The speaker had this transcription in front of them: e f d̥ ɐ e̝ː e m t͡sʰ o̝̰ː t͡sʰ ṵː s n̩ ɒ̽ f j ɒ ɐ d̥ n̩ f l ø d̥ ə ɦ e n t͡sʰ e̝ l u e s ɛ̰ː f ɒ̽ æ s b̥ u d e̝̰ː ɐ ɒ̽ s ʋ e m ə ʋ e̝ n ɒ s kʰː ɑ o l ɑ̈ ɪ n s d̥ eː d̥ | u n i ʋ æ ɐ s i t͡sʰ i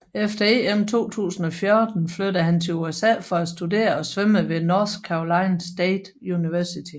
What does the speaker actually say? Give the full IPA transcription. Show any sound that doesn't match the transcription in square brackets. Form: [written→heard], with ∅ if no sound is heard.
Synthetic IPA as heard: e f d̥ ɐ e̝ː e m t͡sʰ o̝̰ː t͡sʰ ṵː s n̩ ɒ̽ f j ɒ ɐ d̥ n̩ f l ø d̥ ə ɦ [e→æ] n t͡sʰ e̝ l u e s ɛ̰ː f ɒ̽ æ s [b̥→d̥] u d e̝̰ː ɐ ɒ̽ s ʋ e m ə ʋ e̝ n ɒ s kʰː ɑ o l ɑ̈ ɪ n s d̥ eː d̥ | u n i ʋ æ ɐ s i t͡sʰ i

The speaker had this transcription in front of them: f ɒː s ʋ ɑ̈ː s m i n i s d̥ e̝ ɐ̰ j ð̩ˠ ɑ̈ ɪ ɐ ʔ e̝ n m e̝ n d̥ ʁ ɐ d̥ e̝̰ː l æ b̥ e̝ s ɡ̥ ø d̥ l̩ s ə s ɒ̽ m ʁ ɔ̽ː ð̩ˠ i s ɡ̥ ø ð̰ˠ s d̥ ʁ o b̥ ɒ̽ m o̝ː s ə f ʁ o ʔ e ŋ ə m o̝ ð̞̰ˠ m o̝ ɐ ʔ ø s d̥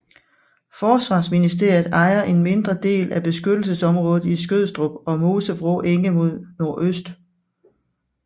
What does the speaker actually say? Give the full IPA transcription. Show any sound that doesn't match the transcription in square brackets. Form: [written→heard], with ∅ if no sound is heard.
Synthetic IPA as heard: f ɒː s ʋ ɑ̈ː s m i n i s d̥ e̝ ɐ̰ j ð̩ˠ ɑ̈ ɪ ɐ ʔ e̝ n m e̝ n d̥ ʁ ɐ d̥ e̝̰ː l æ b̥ e̝ s ɡ̥ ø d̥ l̩ s ə s ɒ̽ m ʁ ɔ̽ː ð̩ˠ i s ɡ̥ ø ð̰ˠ s d̥ ʁ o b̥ ɒ̽ m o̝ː s ə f ʁ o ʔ e ŋ ə m o̝ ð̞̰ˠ [m→n] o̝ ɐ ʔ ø s d̥

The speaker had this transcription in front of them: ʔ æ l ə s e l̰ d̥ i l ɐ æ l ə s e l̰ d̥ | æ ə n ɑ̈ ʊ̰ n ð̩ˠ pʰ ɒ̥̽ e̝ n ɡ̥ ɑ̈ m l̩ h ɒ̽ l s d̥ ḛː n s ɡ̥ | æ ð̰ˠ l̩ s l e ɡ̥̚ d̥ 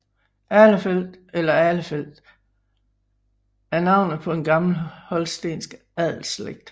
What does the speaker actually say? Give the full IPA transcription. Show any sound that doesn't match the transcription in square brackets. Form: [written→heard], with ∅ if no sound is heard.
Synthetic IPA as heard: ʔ æ l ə [s→f] e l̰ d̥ [i→e] l ɐ æ l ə [s→f] e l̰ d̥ | æ [ə→ɐ] n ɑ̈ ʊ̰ n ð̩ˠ pʰ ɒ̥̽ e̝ n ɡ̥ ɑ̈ m l̩ h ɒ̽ l s d̥ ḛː n s ɡ̥ | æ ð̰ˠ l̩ s l e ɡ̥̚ d̥

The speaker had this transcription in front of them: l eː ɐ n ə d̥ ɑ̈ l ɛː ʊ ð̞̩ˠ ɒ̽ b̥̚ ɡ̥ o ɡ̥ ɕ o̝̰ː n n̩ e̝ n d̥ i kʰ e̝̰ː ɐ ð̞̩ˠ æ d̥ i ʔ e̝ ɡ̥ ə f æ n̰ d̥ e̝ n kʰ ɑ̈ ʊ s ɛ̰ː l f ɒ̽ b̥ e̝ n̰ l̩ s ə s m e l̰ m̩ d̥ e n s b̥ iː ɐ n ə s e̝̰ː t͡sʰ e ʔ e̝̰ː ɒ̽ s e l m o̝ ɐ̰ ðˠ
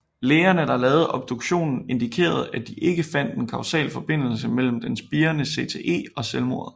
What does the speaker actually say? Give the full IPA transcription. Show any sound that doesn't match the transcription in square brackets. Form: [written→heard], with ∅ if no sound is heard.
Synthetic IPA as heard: l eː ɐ n ə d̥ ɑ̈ l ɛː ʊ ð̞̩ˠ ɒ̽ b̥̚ [ɡ̥→d̥] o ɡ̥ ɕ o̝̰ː n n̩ e̝ n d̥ i kʰ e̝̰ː ɐ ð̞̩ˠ æ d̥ i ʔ e̝ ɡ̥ ə f æ n̰ d̥ e̝ n kʰ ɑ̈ ʊ s ɛ̰ː l f ɒ̽ b̥ e̝ n̰ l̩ s ə [s→∅] m e l̰ m̩ d̥ e n s b̥ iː ɐ n ə s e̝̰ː t͡sʰ e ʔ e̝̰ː ɒ̽ s e l m o̝ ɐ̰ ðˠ

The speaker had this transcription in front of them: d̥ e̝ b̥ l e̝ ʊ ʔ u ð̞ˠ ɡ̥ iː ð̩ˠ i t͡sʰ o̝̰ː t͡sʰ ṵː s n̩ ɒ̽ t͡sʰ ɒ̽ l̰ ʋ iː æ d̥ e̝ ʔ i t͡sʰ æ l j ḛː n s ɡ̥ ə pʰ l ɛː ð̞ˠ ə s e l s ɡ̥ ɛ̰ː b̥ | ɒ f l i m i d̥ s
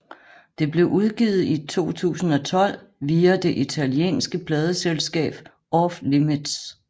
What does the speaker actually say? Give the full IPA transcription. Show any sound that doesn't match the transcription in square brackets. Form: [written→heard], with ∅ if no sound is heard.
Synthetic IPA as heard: d̥ e̝ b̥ l e̝ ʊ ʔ u ð̞ˠ ɡ̥ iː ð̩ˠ i t͡sʰ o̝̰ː t͡sʰ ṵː s n̩ ɒ̽ t͡sʰ ɒ̽ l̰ ʋ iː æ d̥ e̝ ʔ i t͡sʰ æ l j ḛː n s ɡ̥ ə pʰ l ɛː ð̞ˠ ə s e l s ɡ̥ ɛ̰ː b̥ | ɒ f l i m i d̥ s

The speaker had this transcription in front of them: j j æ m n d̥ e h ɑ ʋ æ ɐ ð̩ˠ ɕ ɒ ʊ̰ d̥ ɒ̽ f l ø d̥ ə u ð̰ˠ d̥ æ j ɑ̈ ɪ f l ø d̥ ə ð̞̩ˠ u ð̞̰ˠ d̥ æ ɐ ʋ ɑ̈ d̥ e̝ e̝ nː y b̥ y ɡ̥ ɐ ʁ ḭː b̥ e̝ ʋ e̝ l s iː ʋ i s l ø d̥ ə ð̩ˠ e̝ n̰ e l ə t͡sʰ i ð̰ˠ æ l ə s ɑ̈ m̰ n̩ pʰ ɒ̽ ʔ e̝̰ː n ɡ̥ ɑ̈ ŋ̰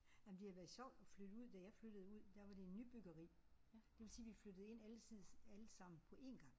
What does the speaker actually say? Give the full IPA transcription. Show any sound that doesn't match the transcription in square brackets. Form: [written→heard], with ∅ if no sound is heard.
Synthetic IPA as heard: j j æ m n d̥ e h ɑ ʋ æ ɐ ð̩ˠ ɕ ɒ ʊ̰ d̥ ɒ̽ f l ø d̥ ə u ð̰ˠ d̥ æ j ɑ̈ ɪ f l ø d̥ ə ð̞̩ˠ u ð̞̰ˠ d̥ æ ɐ ʋ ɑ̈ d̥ e̝ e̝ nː y b̥ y ɡ̥ ɐ ʁ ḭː [b̥→d̥] e̝ ʋ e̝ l s iː ʋ i [s→f] l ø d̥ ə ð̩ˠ e̝ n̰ [e→æ] l ə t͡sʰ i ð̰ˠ æ l ə s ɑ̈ m̰ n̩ pʰ ɒ̽ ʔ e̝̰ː n ɡ̥ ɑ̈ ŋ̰

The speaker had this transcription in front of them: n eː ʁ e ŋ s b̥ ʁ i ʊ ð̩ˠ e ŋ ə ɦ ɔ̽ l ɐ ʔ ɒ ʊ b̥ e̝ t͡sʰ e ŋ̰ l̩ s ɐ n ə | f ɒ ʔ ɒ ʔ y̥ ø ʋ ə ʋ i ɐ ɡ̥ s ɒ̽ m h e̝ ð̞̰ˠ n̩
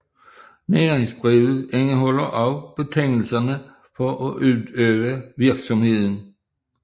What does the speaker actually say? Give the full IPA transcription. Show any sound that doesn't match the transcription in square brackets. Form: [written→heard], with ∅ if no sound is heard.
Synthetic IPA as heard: n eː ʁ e ŋ s b̥ ʁ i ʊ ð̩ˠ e ŋ ə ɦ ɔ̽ l ɐ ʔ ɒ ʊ b̥ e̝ t͡sʰ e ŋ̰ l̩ s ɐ n ə | f ɒ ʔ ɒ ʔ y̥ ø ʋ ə ʋ i ɐ ɡ̥ s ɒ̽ m h e̝ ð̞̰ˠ n̩

